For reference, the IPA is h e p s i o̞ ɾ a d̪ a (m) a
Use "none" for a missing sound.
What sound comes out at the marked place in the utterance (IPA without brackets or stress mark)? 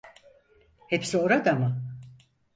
m